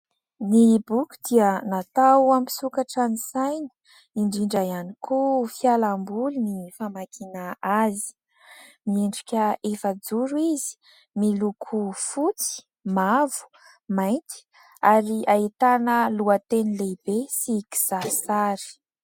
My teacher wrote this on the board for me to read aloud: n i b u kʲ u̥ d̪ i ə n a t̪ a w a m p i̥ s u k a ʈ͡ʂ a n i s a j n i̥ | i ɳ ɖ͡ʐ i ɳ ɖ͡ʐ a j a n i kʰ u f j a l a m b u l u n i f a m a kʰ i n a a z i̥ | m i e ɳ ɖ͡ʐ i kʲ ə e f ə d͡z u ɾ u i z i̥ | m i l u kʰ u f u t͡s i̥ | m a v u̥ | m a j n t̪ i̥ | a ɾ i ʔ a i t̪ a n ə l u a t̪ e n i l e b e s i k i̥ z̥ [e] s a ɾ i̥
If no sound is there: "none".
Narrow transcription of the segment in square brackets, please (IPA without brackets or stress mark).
a